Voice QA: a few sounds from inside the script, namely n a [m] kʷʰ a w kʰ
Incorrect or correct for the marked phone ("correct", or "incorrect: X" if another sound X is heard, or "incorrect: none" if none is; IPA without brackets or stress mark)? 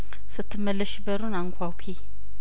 incorrect: ŋ